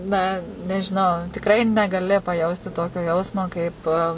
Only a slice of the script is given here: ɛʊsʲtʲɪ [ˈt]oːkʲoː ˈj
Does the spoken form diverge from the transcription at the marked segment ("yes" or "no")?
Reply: no